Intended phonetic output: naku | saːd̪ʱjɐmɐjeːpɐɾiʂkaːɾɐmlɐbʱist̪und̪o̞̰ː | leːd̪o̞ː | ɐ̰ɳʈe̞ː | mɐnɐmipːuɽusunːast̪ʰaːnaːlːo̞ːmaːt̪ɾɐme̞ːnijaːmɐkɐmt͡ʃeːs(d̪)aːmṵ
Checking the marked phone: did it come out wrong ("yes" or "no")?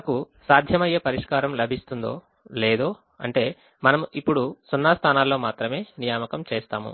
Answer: yes